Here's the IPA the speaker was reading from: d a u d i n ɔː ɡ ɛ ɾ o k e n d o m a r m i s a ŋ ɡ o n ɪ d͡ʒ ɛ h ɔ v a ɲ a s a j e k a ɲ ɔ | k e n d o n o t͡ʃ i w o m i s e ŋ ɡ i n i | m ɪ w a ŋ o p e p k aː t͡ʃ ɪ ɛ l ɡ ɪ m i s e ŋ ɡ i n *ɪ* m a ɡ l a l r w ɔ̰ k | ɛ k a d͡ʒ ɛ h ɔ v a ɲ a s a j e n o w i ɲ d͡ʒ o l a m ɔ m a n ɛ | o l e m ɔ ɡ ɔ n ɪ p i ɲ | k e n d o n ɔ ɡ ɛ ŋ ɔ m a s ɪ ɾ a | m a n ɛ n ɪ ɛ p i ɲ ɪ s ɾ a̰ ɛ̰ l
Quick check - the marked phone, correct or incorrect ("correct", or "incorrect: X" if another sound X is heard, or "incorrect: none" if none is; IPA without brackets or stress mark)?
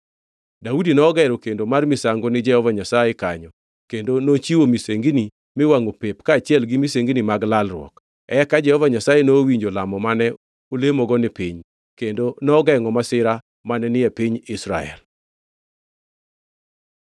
incorrect: i